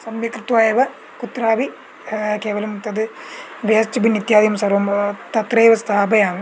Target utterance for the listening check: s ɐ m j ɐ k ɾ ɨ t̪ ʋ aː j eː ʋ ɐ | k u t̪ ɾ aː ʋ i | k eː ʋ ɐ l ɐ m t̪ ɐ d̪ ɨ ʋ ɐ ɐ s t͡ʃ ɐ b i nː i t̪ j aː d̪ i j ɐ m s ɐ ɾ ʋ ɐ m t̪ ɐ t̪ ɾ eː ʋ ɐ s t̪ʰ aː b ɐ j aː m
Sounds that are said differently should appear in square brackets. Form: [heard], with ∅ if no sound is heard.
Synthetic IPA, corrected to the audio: s ɐ m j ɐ k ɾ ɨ t̪ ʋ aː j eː ʋ ɐ | k u t̪ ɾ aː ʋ i | k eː ʋ ɐ l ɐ m t̪ ɐ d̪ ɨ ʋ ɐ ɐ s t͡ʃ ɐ b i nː i t̪ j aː d̪ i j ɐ m s ɐ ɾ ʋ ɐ m t̪ ɐ t̪ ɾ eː ʋ ɐ s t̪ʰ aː b ɐ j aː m